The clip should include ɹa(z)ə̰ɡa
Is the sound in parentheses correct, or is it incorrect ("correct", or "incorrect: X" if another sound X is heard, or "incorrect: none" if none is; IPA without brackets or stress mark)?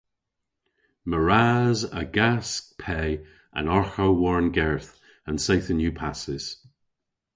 correct